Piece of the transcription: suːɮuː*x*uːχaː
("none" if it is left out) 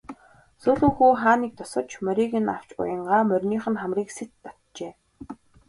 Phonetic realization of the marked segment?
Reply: x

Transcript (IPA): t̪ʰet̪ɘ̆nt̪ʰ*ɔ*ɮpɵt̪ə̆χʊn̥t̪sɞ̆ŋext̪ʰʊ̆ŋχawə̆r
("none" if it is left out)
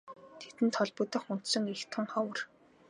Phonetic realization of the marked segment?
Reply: ɔ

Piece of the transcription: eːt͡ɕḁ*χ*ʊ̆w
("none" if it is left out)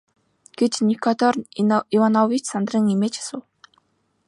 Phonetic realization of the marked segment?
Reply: s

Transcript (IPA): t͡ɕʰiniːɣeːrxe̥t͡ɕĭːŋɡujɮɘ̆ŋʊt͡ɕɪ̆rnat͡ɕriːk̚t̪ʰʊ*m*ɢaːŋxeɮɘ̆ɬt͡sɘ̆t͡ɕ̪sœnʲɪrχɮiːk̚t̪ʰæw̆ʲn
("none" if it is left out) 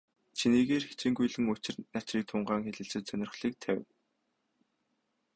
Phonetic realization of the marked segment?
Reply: ɴ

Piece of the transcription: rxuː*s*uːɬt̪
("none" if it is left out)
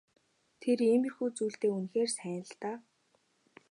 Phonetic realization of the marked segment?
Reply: t͡s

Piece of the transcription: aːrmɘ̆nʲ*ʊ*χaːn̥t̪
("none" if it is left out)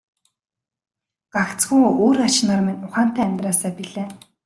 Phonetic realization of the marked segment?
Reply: ʊ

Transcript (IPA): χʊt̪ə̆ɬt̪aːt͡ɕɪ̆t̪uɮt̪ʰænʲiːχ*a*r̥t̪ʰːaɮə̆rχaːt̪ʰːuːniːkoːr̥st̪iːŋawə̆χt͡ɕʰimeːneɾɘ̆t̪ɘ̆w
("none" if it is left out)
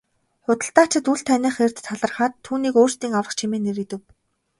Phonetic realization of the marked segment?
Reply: e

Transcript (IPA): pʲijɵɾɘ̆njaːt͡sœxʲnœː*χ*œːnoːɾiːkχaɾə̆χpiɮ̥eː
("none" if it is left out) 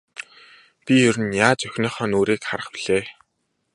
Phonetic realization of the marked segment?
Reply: χ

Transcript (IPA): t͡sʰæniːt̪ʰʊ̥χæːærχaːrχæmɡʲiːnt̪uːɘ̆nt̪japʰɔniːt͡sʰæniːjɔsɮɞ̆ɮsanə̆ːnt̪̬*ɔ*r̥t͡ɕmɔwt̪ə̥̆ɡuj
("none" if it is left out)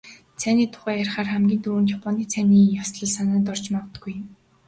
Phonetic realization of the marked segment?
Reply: ɔ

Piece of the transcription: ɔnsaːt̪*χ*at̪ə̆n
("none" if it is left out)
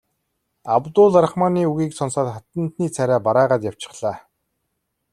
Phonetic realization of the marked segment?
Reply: χ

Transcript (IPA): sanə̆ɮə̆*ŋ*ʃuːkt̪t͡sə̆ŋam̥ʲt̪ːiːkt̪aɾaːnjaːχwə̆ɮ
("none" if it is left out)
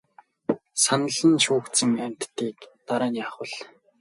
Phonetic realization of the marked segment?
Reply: n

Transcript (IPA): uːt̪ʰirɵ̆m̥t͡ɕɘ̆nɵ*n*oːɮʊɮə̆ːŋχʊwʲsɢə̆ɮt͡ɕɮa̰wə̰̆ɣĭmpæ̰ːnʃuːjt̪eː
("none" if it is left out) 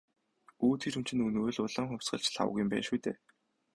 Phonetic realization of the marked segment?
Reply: n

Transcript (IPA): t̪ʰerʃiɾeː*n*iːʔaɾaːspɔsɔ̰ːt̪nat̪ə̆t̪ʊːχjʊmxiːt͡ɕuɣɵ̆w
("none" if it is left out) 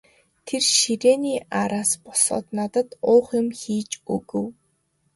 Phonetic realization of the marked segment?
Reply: n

